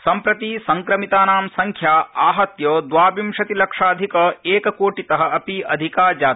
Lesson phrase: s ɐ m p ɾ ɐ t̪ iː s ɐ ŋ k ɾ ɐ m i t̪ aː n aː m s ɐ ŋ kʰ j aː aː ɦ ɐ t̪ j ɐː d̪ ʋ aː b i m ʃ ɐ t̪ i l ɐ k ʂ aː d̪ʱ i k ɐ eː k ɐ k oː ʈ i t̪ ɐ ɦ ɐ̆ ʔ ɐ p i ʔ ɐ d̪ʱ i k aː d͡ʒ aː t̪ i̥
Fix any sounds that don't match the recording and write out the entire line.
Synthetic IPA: s ɐ m p ɾ ɐ t̪ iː s ɐ ŋ k ɾ ɐ m i t̪ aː n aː m s ɐ ŋ kʰ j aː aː ɦ ɐ t̪ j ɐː d̪ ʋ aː b i m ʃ ɐ t̪ i l ɐ k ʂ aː d̪ʱ i k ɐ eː k ɐ k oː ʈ i t̪ ɐ ɦ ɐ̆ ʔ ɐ p i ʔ ɐ d̪ʱ i k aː d͡ʒ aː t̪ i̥